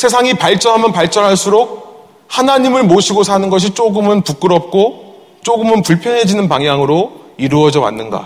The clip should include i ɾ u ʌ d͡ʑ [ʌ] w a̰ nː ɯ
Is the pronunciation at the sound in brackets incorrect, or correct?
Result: correct